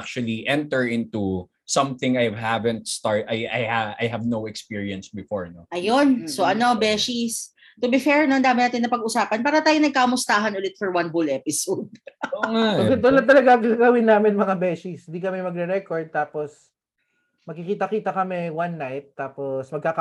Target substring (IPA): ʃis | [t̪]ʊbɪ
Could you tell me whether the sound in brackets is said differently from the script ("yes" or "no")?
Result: no